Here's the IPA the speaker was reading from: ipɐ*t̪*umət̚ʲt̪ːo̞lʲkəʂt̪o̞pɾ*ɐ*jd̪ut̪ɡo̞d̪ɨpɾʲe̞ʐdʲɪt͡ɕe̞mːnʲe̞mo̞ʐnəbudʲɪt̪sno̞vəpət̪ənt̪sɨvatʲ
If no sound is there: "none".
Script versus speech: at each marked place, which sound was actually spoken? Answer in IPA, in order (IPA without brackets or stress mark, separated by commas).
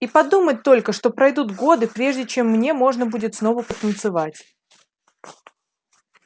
d̪, ɐ